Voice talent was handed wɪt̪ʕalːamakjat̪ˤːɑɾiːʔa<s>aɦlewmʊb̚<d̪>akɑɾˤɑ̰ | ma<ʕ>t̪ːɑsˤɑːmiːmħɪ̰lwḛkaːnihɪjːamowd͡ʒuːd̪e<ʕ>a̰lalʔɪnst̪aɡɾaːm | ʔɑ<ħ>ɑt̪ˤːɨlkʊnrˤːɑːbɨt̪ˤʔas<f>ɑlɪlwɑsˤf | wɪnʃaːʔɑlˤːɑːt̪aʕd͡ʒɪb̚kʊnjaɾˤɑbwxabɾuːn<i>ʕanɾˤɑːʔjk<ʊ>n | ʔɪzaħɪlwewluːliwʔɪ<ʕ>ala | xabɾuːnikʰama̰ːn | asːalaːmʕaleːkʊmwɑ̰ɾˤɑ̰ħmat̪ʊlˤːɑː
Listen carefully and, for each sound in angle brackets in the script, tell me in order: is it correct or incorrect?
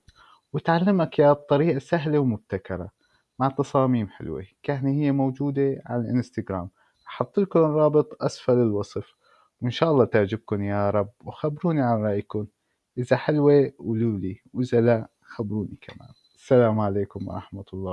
correct, incorrect, correct, correct, correct, correct, correct, correct, incorrect

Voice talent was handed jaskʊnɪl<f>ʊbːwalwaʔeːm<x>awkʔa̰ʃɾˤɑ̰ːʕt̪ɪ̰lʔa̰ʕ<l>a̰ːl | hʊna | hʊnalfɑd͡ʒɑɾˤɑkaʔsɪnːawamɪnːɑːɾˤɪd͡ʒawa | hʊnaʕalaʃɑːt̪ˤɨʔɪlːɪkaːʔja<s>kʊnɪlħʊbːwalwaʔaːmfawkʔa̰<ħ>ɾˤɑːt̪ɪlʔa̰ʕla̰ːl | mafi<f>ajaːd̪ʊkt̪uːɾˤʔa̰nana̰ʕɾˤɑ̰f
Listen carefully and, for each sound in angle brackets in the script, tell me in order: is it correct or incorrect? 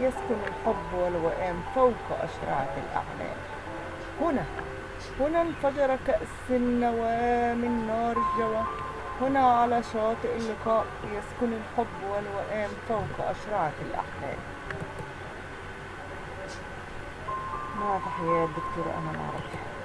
incorrect, incorrect, correct, correct, incorrect, incorrect

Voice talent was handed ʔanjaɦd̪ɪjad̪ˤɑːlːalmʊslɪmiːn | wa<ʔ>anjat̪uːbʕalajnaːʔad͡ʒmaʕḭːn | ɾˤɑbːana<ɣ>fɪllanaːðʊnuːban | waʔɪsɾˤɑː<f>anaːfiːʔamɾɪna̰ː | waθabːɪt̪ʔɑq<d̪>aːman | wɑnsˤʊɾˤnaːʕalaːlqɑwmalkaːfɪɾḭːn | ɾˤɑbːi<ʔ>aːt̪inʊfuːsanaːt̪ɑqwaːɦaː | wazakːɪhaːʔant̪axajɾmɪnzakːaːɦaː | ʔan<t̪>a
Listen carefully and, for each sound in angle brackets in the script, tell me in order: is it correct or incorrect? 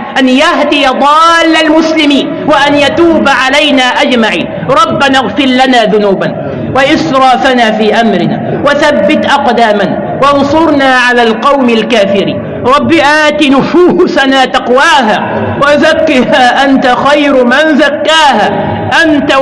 correct, correct, correct, correct, correct, correct

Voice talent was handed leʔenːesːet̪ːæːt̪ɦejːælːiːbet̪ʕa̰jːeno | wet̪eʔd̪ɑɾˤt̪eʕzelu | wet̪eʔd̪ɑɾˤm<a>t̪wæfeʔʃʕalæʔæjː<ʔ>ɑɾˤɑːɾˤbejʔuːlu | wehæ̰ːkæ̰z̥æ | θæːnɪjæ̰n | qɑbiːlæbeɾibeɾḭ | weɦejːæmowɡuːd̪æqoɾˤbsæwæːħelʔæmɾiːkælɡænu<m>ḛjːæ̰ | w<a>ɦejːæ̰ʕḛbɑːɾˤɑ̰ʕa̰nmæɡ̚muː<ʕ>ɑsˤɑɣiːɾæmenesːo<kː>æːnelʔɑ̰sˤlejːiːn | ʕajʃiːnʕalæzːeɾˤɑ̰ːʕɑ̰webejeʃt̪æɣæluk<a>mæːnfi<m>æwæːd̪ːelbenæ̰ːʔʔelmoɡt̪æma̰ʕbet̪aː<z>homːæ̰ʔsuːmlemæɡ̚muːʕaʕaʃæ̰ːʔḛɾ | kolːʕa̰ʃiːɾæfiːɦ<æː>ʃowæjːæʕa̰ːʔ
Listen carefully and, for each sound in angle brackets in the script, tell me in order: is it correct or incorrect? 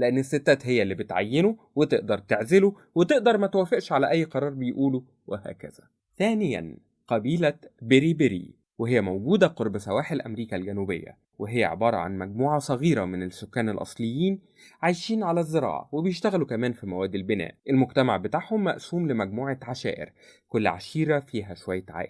incorrect, incorrect, incorrect, incorrect, correct, correct, incorrect, correct, incorrect, incorrect

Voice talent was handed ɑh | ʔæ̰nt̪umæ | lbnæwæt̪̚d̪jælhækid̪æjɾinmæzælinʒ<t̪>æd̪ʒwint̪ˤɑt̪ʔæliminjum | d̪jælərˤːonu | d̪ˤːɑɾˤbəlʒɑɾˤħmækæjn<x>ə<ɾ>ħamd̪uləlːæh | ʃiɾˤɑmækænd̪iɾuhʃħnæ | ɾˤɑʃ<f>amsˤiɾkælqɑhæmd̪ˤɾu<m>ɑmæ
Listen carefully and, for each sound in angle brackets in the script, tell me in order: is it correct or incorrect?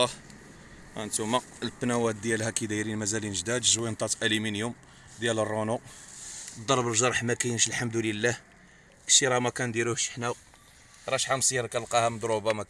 incorrect, incorrect, incorrect, incorrect, incorrect

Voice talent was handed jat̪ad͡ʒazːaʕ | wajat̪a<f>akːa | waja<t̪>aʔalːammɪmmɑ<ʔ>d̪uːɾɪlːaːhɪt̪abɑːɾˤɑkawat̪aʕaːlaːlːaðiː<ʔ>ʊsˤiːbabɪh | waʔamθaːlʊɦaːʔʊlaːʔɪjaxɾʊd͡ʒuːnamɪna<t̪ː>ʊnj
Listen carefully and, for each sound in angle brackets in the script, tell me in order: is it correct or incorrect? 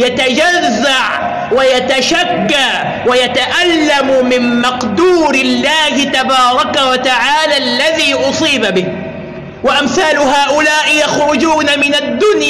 incorrect, correct, incorrect, correct, incorrect

